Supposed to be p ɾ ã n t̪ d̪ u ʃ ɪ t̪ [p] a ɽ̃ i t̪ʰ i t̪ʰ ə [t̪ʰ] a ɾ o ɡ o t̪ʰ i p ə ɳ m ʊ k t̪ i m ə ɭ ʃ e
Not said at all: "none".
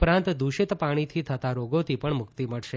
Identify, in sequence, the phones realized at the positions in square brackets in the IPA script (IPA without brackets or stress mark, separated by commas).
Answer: p, t̪